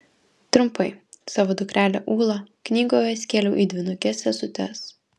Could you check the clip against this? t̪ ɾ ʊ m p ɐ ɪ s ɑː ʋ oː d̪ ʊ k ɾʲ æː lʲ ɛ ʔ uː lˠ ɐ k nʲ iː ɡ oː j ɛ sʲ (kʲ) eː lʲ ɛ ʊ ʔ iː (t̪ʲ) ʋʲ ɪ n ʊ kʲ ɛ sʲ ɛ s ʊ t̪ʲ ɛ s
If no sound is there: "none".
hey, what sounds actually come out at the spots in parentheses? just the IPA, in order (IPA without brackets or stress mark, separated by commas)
kʲ, d̪ʲ